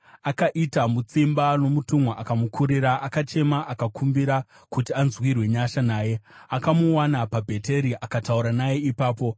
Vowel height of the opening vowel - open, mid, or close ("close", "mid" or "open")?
open